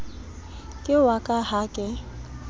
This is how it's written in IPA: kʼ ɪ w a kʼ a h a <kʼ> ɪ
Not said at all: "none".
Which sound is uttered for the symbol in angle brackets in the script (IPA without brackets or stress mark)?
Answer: kʼ